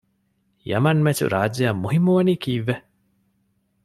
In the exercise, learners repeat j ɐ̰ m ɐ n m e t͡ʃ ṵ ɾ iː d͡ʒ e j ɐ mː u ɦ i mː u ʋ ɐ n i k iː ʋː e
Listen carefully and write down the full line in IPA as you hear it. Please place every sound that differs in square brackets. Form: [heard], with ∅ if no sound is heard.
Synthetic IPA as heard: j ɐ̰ m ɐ n m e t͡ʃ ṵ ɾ [aː] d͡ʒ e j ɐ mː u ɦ i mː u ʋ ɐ n i k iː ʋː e